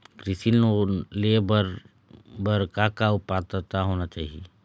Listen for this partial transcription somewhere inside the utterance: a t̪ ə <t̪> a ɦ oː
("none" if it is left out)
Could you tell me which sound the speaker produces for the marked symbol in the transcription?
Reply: t̪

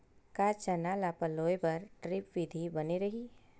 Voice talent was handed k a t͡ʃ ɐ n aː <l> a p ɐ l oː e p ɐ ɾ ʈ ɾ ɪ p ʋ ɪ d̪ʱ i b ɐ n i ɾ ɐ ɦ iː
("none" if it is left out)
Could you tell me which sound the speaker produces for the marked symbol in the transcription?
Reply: l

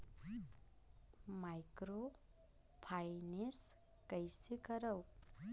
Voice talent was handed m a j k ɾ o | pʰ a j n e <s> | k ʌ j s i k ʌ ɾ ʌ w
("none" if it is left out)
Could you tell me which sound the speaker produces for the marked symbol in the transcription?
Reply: s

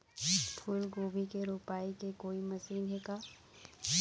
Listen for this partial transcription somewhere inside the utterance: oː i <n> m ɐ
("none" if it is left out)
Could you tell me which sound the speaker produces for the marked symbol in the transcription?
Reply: none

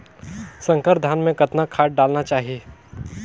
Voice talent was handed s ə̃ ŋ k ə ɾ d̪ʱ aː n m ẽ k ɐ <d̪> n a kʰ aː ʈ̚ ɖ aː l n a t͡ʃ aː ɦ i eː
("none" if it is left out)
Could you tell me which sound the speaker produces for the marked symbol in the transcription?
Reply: t̪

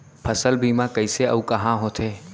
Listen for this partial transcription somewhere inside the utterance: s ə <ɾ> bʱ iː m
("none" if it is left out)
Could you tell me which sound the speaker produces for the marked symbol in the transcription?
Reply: l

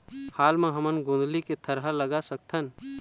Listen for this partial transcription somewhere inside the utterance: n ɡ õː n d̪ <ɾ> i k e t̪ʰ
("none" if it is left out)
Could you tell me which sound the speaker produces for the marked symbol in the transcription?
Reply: l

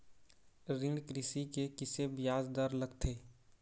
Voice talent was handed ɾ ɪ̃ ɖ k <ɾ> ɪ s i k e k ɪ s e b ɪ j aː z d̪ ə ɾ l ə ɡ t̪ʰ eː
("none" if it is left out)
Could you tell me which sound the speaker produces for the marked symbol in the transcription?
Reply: ɾ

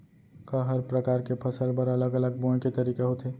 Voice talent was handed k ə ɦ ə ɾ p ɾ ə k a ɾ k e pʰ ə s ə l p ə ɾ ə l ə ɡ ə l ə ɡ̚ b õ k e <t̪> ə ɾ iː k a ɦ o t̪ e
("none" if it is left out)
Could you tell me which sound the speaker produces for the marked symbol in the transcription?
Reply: t̪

